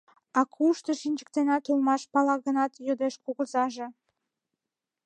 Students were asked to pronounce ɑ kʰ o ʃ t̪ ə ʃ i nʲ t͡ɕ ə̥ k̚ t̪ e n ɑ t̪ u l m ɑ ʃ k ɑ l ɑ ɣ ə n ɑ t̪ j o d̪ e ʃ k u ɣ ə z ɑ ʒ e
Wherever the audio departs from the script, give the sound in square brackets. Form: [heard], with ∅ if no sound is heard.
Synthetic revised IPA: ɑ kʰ [u] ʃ t̪ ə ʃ i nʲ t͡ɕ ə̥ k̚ t̪ e n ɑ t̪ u l m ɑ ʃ [p] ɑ l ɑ ɣ ə n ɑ t̪ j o d̪ e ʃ k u ɣ ə z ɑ ʒ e